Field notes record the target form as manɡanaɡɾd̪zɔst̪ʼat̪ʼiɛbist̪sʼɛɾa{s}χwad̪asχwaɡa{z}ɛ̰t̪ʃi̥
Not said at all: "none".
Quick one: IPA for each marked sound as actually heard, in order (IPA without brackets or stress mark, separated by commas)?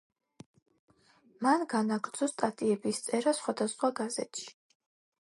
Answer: s, z